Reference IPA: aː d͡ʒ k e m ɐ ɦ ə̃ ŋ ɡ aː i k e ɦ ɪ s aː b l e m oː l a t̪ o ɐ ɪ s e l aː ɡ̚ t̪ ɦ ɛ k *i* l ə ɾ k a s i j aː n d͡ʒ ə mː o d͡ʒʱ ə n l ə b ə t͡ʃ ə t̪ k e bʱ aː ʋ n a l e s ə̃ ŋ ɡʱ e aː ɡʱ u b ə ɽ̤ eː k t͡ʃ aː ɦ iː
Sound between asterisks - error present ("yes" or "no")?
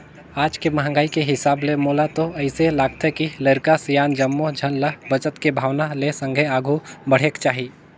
no